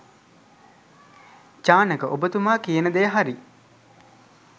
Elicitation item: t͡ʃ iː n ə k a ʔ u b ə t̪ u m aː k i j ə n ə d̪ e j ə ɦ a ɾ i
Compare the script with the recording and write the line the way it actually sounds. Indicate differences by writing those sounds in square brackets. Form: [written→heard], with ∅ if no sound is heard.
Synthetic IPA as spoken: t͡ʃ [iː→aː] n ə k [a→ə] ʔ [u→o] b ə t̪ u m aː k i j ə n ə d̪ e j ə ɦ a ɾ i